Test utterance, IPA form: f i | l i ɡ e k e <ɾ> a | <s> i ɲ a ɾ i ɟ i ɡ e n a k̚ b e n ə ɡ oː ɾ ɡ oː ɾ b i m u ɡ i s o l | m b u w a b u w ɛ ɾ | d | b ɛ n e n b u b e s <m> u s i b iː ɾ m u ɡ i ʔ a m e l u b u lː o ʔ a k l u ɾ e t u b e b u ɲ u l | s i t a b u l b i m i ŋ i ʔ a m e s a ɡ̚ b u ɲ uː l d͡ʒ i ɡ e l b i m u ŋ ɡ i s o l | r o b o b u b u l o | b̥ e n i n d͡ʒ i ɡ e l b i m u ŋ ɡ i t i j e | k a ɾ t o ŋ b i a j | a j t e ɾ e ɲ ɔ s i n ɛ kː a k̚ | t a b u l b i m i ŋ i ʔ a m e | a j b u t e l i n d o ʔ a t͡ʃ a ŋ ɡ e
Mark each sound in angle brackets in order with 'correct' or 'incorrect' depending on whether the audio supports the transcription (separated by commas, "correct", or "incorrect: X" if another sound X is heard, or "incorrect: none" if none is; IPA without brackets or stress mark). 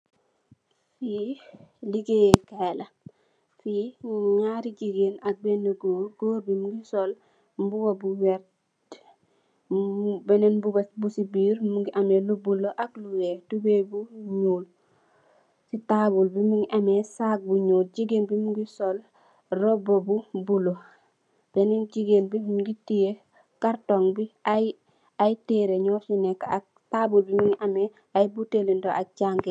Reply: incorrect: l, incorrect: f, incorrect: b